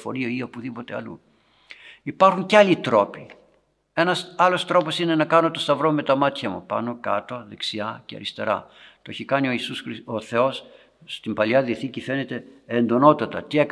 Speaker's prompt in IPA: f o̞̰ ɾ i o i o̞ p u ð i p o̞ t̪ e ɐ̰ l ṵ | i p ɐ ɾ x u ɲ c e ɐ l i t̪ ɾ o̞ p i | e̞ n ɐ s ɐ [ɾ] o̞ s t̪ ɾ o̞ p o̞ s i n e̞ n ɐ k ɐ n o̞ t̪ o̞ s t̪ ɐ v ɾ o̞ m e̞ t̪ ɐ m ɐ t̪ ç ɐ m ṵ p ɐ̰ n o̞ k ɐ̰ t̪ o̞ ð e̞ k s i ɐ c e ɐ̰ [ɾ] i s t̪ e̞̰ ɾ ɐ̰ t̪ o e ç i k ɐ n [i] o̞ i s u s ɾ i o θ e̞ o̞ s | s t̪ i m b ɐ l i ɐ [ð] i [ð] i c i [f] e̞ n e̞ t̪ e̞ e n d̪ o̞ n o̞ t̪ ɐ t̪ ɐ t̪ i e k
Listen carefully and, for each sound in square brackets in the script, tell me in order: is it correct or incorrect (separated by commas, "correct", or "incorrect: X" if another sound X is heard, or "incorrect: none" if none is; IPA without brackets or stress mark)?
incorrect: l, correct, correct, correct, incorrect: θ, correct